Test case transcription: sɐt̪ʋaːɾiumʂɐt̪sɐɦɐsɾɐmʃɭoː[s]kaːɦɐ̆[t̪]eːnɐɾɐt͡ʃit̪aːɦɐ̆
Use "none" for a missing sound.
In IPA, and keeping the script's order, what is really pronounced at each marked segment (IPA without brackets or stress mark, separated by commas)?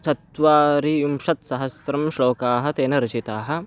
none, t̪